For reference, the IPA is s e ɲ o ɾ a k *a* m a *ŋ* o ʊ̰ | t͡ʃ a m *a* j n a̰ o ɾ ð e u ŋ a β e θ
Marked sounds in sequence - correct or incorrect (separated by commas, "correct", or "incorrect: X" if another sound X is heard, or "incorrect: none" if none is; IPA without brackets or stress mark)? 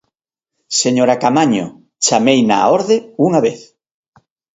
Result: correct, incorrect: ɲ, incorrect: e